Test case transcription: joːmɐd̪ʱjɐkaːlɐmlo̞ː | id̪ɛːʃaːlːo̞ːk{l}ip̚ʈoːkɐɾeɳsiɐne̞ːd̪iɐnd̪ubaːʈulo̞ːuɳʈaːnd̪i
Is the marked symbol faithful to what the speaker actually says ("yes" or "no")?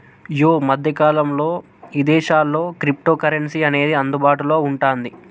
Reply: no